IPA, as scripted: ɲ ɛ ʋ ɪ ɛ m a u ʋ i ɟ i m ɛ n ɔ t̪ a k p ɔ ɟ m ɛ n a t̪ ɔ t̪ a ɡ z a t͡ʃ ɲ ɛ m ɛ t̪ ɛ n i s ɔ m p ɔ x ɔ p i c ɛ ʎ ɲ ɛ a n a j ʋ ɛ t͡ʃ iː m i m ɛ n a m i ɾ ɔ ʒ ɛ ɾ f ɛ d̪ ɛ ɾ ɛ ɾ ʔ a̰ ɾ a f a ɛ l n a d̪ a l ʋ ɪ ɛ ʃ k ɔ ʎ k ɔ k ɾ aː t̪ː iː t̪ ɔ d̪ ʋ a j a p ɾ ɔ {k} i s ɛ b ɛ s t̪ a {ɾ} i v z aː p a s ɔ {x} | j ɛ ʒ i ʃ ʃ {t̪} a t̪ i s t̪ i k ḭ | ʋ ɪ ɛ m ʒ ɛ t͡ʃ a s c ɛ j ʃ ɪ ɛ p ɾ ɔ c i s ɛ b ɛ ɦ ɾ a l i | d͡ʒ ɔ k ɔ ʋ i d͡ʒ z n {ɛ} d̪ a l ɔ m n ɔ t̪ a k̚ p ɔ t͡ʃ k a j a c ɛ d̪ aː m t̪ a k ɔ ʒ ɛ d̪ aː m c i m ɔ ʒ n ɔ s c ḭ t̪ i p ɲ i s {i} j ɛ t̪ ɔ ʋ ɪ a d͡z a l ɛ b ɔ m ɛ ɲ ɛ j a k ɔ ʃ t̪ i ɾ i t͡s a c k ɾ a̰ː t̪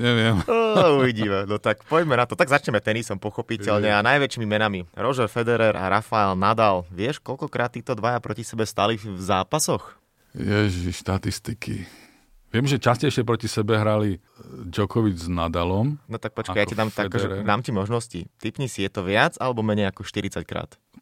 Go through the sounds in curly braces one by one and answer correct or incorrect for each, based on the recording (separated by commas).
incorrect, incorrect, correct, correct, incorrect, correct